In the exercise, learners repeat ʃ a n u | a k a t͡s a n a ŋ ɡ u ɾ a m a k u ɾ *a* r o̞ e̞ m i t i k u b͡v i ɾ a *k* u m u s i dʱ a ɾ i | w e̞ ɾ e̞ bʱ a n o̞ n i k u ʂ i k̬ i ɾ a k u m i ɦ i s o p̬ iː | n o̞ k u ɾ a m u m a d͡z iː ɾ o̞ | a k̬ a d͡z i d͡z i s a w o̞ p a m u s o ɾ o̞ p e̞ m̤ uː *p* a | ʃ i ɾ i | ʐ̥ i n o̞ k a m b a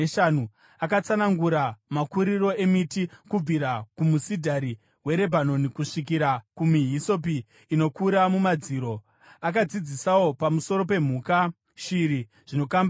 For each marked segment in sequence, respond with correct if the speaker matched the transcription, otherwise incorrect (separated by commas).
incorrect, correct, incorrect